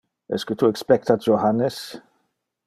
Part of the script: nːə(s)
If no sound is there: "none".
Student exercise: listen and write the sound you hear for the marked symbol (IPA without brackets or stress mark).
s